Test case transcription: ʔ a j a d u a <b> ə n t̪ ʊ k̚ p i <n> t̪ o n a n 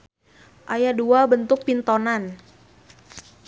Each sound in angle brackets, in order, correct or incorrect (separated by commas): correct, correct